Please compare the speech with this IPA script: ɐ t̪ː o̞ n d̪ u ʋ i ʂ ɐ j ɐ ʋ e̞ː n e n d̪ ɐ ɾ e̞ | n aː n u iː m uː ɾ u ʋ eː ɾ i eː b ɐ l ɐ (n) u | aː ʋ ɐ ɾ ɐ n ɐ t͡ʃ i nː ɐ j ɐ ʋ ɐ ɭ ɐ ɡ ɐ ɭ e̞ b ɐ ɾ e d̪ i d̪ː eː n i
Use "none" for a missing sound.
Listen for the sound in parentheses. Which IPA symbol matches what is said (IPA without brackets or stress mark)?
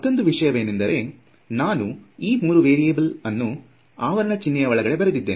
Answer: nː